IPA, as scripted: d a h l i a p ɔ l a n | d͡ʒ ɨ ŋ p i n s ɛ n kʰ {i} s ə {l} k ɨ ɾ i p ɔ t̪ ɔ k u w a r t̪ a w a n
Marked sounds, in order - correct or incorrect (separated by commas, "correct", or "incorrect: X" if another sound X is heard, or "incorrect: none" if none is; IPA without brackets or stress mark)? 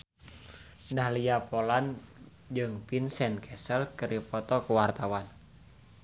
incorrect: ɛ, correct